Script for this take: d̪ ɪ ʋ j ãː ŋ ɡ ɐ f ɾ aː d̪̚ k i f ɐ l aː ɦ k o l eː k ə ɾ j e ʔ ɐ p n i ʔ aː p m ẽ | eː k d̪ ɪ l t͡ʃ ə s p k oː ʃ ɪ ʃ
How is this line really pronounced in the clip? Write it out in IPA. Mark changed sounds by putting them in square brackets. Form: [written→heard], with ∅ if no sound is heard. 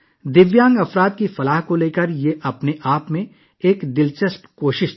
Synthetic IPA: d̪ ɪ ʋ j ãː ŋ ɡ ɐ f ɾ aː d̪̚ k i f ɐ l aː ɦ k o l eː k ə ɾ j e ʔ ɐ p n [i→e] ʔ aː p m ẽ | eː k d̪ ɪ l t͡ʃ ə s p k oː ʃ ɪ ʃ